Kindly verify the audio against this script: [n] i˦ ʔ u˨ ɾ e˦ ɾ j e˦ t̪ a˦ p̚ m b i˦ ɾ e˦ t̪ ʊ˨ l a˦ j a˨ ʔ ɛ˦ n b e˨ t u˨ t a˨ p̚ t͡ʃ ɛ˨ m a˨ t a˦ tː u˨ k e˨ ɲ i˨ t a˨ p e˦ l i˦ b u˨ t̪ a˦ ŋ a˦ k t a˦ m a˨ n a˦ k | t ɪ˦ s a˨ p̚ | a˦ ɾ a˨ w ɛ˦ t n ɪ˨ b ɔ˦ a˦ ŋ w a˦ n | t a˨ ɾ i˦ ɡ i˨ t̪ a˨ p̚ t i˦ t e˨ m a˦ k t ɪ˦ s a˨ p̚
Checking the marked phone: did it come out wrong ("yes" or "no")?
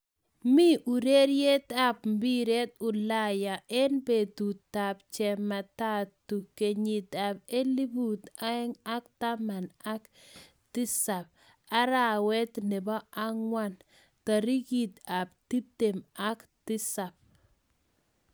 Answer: yes